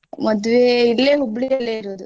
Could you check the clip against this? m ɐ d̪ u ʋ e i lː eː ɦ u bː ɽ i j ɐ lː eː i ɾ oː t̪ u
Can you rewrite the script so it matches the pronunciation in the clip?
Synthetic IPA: m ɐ d̪ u ʋ e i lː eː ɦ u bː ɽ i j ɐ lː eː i ɾ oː d̪ u

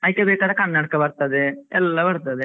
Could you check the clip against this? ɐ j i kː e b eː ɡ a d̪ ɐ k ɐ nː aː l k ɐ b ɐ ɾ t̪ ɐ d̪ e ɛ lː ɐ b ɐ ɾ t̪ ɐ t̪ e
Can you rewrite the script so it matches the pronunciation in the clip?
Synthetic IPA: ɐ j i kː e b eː k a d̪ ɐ k ɐ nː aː ɽ k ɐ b ɐ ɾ t̪ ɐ d̪ e ɛ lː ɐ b ɐ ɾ t̪ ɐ d̪ e

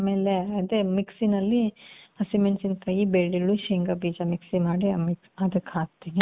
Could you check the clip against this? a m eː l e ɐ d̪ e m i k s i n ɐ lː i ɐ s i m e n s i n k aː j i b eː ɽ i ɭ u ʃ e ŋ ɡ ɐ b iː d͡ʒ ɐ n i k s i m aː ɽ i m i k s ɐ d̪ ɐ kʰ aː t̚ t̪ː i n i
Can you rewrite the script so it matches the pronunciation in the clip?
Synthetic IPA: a m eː l e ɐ d̪ e m i k s i n ɐ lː i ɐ s i m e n s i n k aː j i b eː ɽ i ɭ u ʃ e ŋ ɡ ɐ b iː d͡ʒ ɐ m i k s i m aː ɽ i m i k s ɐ d̪ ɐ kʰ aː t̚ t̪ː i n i

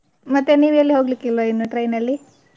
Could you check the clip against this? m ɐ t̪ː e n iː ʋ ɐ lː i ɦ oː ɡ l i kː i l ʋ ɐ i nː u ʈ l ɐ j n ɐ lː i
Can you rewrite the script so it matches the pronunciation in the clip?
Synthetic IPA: m ɐ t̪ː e n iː ʋ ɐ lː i ɦ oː ɡ l i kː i l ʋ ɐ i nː u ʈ ɾ ɐ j n ɐ lː i

